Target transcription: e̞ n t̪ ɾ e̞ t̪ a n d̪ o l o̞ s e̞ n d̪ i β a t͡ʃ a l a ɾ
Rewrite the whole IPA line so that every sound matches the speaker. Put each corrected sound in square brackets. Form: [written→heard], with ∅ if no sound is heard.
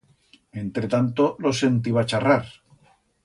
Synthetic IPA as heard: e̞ n t̪ ɾ e̞ t̪ a n [d̪→t̪] o l o̞ s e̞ n [d̪→t̪] i β a t͡ʃ a [l→r] a ɾ